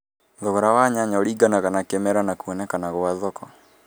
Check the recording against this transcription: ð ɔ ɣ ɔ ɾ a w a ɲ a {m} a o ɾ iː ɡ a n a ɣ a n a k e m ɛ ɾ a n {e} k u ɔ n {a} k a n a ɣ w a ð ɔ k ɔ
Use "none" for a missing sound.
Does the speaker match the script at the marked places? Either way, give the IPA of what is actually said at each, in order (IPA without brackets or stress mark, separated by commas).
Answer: ɲ, a, ɛ